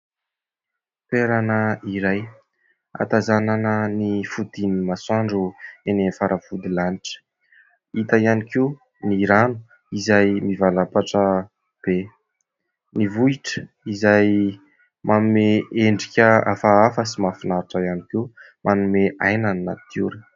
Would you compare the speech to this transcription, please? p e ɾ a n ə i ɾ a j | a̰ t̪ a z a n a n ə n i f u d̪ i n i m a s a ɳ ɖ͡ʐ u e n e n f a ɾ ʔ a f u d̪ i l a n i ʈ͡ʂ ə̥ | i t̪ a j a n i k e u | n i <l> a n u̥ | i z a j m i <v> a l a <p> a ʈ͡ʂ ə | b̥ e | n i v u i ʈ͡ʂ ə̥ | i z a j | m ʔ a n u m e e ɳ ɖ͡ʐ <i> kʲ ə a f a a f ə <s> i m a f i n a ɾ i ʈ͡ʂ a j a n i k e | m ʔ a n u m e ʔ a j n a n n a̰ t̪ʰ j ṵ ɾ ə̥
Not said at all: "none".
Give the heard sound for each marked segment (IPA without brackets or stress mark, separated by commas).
ɾ, v, p, i, s